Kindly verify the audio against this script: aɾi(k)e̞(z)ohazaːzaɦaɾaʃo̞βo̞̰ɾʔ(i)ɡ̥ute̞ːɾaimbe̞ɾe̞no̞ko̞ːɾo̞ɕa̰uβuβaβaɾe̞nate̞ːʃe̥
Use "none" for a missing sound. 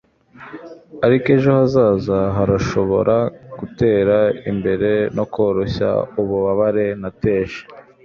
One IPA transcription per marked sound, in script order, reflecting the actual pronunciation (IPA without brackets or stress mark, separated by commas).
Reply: k, ʒ, a